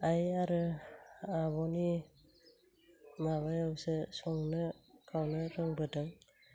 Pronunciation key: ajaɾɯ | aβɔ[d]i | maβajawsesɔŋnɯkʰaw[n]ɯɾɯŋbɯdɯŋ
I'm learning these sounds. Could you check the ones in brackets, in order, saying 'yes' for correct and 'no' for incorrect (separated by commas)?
no, yes